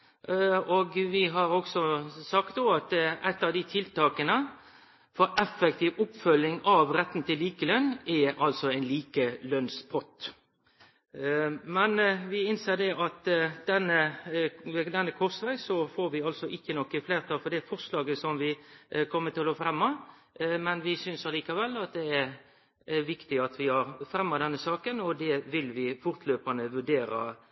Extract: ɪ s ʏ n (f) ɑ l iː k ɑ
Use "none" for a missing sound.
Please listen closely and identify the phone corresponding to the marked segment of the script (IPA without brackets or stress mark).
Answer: s